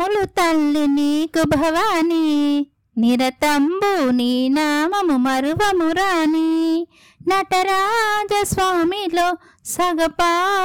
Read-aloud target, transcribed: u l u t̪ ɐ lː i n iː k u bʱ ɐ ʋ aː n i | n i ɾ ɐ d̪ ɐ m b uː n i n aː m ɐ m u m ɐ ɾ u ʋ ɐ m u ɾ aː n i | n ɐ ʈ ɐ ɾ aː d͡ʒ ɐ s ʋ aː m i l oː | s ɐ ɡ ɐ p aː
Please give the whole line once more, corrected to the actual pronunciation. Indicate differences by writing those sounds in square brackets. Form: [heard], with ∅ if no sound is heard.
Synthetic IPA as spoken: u l u t̪ ɐ lː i n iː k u bʱ ɐ ʋ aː n i | n i ɾ ɐ [t̪] ɐ m b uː n i n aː m ɐ m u m ɐ ɾ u ʋ ɐ m u ɾ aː n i | n ɐ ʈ ɐ ɾ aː d͡ʒ ɐ s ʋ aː m i l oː | s ɐ ɡ ɐ p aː